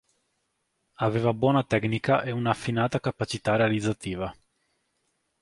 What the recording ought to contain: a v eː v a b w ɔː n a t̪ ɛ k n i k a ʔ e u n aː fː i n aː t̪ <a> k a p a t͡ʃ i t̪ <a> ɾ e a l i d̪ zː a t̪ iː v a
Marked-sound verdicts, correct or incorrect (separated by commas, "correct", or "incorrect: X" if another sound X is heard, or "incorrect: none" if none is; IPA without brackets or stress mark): correct, correct